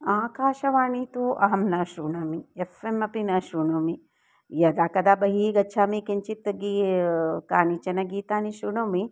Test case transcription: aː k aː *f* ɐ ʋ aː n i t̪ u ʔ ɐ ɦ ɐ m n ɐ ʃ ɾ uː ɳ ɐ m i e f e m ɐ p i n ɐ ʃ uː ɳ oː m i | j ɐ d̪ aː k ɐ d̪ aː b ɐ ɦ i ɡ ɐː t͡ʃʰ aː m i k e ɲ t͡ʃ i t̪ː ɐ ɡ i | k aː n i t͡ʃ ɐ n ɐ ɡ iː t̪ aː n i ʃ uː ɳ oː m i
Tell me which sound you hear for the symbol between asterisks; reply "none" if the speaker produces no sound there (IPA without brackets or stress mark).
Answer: ʃ